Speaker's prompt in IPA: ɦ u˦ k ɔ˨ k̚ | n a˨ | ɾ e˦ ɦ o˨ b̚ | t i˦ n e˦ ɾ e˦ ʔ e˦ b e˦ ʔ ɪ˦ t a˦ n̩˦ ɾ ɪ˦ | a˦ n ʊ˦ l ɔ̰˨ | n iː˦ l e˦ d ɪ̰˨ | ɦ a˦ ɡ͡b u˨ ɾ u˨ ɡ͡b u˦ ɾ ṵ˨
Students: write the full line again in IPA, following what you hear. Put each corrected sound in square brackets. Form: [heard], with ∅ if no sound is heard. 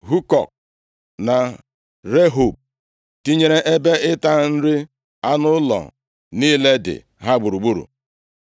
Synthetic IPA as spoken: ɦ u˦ k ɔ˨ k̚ | n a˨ | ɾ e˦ ɦ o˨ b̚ | t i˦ [ɲ] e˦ ɾ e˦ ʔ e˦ b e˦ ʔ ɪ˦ t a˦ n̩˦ ɾ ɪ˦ | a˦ n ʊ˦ l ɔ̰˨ | n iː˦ l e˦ d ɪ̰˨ | ɦ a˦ ɡ͡b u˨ ɾ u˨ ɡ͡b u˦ ɾ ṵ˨